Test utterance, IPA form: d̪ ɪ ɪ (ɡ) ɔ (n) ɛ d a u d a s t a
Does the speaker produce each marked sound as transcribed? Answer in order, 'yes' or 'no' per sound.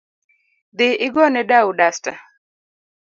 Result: yes, yes

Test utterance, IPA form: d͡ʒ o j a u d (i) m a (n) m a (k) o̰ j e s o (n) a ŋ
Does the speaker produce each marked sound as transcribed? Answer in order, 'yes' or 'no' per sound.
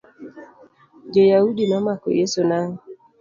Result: yes, no, yes, yes

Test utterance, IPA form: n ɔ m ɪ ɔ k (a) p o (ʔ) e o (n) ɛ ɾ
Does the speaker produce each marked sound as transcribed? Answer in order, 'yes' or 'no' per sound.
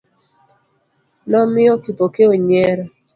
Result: no, no, no

